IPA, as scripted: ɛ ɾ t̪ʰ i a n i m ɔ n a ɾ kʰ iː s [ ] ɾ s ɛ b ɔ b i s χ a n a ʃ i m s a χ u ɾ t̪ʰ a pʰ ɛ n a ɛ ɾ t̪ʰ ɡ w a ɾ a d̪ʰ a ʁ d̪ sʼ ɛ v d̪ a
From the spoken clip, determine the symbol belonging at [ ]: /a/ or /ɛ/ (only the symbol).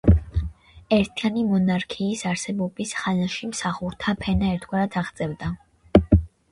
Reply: a